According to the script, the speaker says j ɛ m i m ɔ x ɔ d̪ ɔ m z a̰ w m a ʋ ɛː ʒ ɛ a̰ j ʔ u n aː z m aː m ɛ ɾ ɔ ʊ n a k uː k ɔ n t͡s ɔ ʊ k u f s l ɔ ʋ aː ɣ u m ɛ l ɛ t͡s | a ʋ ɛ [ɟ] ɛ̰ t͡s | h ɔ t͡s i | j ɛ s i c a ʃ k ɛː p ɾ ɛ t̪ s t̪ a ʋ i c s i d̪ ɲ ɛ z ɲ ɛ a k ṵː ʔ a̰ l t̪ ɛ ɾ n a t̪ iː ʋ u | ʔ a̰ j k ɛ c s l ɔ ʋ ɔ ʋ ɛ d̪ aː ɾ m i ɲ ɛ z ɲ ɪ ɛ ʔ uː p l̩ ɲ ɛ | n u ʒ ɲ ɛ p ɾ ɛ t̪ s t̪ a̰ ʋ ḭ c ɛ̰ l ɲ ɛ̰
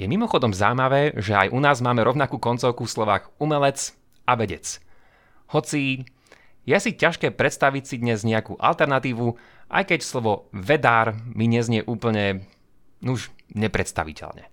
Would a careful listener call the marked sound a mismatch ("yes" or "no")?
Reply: no